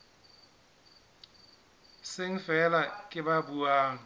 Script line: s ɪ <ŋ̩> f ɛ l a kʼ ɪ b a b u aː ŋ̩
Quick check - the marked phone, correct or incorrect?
correct